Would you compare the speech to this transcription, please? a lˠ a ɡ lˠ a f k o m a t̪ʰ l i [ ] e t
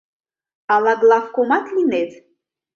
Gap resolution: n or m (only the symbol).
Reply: n